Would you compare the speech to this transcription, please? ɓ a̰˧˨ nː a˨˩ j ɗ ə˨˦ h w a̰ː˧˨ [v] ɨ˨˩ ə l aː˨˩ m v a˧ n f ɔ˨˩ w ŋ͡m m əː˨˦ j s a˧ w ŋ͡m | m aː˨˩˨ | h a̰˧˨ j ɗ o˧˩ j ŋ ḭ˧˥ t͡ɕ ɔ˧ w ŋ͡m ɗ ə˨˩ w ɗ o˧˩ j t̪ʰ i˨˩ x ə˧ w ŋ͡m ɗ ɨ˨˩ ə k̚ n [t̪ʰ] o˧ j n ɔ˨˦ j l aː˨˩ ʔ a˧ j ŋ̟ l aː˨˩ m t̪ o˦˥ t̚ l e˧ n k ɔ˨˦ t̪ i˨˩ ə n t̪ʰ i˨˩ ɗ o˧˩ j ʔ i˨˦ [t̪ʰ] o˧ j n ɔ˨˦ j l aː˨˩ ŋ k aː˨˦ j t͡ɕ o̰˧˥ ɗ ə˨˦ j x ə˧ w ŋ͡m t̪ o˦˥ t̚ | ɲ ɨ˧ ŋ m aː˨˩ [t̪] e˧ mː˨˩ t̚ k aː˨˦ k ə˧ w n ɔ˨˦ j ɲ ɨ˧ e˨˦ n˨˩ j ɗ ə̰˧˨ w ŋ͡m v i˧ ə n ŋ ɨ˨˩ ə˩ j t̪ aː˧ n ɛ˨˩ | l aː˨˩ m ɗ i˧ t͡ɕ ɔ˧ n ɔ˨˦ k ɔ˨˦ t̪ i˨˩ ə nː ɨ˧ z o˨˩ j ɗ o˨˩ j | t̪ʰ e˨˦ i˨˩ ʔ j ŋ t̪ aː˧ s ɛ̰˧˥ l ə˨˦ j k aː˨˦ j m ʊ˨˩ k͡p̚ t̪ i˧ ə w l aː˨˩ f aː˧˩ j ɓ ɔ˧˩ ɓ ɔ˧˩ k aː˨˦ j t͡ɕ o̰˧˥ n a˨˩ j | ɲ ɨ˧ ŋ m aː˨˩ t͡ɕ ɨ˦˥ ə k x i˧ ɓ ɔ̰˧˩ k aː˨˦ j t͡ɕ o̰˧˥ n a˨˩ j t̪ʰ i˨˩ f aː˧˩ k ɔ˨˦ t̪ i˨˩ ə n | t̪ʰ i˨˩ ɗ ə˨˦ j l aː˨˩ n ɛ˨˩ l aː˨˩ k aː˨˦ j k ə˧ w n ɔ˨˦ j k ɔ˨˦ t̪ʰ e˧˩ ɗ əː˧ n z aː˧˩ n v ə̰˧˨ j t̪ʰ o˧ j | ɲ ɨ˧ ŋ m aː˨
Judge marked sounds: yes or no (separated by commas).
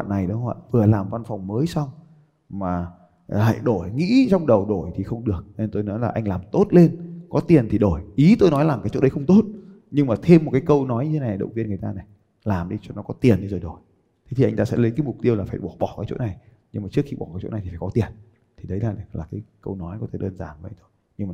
yes, no, no, no